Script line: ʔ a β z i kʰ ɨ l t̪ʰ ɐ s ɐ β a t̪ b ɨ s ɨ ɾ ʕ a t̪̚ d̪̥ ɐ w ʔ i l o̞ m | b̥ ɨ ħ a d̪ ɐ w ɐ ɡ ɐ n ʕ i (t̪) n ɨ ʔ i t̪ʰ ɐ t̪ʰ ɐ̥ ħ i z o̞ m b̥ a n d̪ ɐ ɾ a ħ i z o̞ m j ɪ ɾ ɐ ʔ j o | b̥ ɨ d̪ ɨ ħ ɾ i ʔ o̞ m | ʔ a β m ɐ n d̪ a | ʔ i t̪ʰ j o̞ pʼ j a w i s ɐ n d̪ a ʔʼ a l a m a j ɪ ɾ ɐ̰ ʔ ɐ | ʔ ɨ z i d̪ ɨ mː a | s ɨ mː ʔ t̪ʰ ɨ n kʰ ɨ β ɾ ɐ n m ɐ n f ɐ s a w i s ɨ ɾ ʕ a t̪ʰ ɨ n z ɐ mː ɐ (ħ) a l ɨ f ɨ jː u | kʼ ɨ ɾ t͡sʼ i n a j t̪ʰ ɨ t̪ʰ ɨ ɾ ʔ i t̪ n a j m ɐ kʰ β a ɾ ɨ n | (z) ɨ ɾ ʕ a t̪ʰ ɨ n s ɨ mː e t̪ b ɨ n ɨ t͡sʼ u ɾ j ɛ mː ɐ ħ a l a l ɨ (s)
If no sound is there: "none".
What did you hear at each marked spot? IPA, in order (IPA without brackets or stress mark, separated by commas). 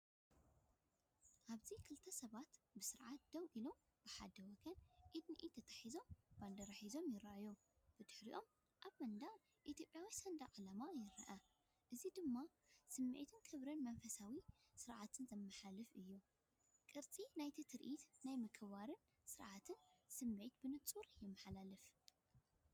d̪, ħ, s, f